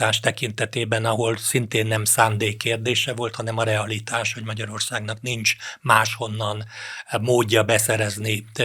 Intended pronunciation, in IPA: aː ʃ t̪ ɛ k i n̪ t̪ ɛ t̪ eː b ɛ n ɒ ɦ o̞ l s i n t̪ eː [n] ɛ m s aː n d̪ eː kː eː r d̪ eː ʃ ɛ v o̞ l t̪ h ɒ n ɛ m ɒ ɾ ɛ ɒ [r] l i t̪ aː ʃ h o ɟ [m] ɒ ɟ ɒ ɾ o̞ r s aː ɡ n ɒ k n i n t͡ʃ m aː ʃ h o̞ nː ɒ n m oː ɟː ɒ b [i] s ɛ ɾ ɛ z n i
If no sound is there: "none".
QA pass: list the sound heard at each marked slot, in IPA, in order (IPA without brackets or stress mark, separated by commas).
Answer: nː, none, m, ɛ